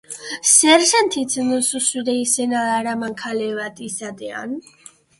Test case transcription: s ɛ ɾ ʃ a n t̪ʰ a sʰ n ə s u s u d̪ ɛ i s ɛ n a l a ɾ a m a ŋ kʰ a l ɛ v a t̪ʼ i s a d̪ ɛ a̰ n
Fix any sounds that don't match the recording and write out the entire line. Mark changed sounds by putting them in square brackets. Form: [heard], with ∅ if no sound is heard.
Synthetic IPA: s ɛ ɾ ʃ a n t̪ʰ [i] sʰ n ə s u s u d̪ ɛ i s ɛ n a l a ɾ a m a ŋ kʰ a l ɛ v a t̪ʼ i s a d̪ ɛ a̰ n

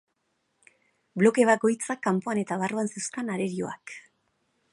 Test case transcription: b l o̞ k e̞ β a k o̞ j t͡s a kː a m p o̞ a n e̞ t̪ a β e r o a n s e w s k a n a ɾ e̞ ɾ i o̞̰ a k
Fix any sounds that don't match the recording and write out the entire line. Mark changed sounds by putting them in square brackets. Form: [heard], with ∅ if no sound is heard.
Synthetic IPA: b l o̞ k e̞ β a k o̞ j t͡s a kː a m p o̞ a n e̞ t̪ a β [a] r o a n s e w s k a n a ɾ e̞ ɾ i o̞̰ a k

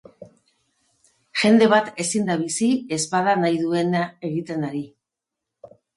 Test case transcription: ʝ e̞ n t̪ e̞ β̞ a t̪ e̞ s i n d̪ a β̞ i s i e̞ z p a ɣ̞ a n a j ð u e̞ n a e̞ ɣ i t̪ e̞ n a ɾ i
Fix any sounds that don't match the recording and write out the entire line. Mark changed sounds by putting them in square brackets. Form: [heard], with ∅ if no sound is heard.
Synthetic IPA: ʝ e̞ n [d̪] e̞ β̞ a t̪ e̞ s i n d̪ a β̞ i s i e̞ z p a [ð̞] a n a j ð u e̞ n a e̞ ɣ i t̪ e̞ n a ɾ i

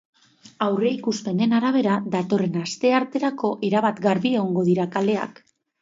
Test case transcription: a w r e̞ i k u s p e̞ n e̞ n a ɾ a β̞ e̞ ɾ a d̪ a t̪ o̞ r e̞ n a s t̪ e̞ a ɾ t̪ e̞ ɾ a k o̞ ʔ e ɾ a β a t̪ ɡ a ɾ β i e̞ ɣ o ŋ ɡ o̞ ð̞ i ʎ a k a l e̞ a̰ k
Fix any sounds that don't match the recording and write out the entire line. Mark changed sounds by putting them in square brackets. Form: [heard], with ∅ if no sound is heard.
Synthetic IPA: a w r e̞ i k u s p e̞ n e̞ n a ɾ a β̞ e̞ ɾ a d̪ a t̪ o̞ r e̞ n a s t̪ e̞ a ɾ t̪ e̞ ɾ a k o̞ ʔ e ɾ a β a t̪ ɡ a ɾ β i e̞ ɣ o ŋ ɡ o̞ ð̞ i [ɾ] a k a l e̞ a̰ k

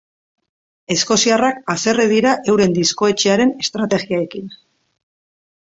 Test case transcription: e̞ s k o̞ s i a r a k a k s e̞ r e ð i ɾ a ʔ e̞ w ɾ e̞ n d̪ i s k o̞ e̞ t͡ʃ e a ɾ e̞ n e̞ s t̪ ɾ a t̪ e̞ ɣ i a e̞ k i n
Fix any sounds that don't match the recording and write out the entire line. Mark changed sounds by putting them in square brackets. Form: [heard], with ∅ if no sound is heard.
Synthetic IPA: e̞ s k o̞ s i a r a k a [∅] s e̞ r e ð i ɾ a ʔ e̞ w ɾ e̞ n d̪ i s k o̞ e̞ t͡ʃ e a ɾ e̞ n e̞ s t̪ ɾ a t̪ e̞ ɣ i a e̞ k i n

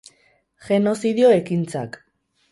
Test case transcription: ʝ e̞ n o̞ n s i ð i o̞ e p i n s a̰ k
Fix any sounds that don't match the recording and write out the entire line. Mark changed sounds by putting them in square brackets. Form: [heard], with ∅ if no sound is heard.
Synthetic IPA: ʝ e̞ n o̞ [∅] s i ð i o̞ e [k] i n [t͡s] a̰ k

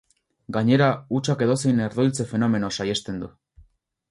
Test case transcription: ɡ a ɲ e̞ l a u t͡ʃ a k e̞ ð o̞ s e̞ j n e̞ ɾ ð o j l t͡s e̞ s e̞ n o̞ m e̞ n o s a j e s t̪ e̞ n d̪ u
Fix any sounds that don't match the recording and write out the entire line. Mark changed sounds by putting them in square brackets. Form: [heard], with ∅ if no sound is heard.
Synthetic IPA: ɡ a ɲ e̞ [ɾ] a u t͡ʃ a k e̞ ð o̞ s e̞ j n e̞ ɾ ð o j l t͡s e̞ [f] e̞ n o̞ m e̞ n o s a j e s t̪ e̞ n d̪ u

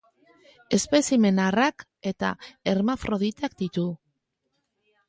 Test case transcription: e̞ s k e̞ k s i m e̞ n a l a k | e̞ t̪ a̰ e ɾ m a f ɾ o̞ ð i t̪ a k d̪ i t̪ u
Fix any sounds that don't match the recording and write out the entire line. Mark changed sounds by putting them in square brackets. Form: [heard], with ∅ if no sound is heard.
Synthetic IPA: e̞ s [p] e̞ [∅] s i m e̞ n a [r] a k | e̞ t̪ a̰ e ɾ m a f ɾ o̞ ð i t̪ a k d̪ i t̪ u

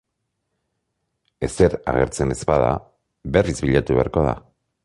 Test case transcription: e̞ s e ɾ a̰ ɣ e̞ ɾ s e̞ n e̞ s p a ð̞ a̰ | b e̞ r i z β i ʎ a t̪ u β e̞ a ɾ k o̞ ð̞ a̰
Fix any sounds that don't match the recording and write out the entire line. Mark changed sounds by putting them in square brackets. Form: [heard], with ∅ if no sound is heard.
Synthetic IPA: e̞ s e ɾ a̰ ɣ e̞ ɾ [t͡s] e̞ n e̞ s p a ð̞ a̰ | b e̞ r i z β i ʎ a t̪ u β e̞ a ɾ k o̞ ð̞ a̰

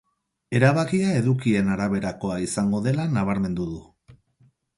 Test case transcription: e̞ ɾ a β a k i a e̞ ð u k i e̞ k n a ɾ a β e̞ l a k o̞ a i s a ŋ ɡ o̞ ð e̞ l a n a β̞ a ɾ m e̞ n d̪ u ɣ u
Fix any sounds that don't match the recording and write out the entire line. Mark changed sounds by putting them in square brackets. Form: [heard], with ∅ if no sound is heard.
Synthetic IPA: e̞ ɾ a β a k i a e̞ ð u k i e̞ [∅] n a ɾ a β e̞ [ɾ] a k o̞ a i s a ŋ ɡ o̞ ð e̞ l a n a β̞ a ɾ m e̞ n d̪ u [ð] u

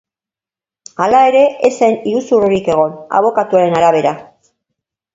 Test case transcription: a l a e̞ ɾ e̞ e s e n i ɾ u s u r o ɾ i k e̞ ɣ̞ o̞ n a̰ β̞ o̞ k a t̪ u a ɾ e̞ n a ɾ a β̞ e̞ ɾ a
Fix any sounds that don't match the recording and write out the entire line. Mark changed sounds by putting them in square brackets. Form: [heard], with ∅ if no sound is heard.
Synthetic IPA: a l a e̞ ɾ e̞ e s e n i ɾ u s u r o ɾ i k e̞ ɣ̞ o̞ n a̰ β̞ o̞ k a t̪ u a ɾ e̞ n a ɾ a β̞ e̞ ɾ a

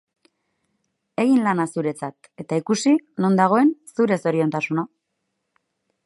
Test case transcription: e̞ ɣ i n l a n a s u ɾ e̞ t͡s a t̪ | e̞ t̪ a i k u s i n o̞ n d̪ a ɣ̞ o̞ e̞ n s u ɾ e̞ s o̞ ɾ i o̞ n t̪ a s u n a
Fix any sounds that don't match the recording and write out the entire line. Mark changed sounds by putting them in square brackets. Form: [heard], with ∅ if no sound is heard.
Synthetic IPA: e̞ ɣ i n l a n a s u ɾ e̞ t͡s a t̪ | e̞ t̪ a i k u s i n o̞ n d̪ a ɣ̞ o̞ e̞ n s u ɾ e̞ s o̞ ɾ i o̞ n t̪ a s u n a

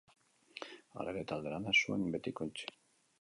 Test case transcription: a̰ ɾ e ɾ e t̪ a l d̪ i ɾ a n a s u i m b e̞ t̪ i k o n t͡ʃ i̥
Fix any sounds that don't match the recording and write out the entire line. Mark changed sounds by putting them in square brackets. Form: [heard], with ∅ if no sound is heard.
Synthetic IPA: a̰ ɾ e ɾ e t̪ a l d̪ [e] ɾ a n a s u [e] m b e̞ t̪ i k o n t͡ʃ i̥

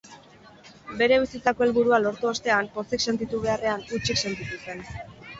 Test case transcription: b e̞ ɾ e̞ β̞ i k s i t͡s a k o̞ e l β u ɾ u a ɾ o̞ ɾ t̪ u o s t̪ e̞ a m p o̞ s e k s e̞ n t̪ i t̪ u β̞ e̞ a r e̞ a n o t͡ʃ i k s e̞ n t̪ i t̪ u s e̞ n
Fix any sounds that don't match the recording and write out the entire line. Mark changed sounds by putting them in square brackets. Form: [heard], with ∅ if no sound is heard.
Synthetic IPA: b e̞ ɾ e̞ β̞ i [∅] s i t͡s a k o̞ e l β u ɾ u a [l] o̞ ɾ t̪ u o s t̪ e̞ a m p o̞ s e k s e̞ n t̪ i t̪ u β̞ e̞ a r e̞ a n [u] t͡ʃ i k s e̞ n t̪ i t̪ u s e̞ n

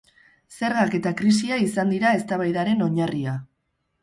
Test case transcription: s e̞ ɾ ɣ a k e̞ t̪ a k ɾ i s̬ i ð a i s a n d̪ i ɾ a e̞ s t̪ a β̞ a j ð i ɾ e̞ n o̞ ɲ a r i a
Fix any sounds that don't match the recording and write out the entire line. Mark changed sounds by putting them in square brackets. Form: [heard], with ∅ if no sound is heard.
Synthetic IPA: s e̞ ɾ ɣ a k e̞ t̪ a k ɾ i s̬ i [∅] a i s a n d̪ i ɾ a e̞ s t̪ a β̞ a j ð [a] ɾ e̞ n o̞ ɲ a r i a

